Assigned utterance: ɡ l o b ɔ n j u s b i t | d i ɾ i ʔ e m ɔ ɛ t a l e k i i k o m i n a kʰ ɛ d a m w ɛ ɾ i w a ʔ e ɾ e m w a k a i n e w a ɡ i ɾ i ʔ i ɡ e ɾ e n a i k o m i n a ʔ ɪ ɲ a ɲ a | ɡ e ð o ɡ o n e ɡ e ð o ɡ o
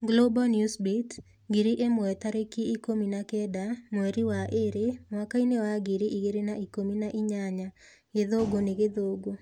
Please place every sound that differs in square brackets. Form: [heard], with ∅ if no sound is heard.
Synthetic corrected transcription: ɡ l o b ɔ n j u s b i t | [ɡ] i ɾ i ʔ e m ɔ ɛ t a [ɾ] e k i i k o m i n a [k] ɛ d a m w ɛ ɾ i w a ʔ e ɾ e m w a k a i n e w a ɡ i ɾ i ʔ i ɡ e ɾ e n a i k o m i n a ʔ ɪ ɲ a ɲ a | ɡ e ð o ɡ o n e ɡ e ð o ɡ o